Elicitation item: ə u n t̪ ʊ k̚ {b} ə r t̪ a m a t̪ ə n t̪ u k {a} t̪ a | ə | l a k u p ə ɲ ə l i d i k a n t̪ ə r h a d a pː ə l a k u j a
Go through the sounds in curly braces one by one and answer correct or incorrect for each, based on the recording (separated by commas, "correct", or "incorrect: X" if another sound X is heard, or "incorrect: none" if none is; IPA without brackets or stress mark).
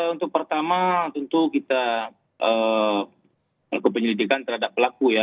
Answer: incorrect: p, incorrect: i